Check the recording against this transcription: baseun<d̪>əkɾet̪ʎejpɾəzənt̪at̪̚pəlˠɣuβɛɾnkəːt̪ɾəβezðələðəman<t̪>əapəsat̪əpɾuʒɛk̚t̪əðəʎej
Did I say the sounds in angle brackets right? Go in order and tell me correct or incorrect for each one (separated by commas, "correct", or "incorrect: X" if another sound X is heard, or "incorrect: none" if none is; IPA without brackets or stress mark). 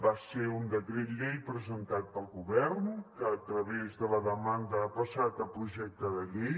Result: correct, incorrect: d̪